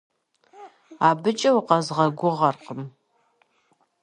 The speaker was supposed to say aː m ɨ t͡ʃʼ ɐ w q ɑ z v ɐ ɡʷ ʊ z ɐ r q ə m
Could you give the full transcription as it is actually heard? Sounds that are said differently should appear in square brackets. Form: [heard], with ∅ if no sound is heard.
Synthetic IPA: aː [b] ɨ t͡ʃʼ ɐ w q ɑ z [ʁ] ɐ ɡʷ ʊ [ʁ] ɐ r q ə m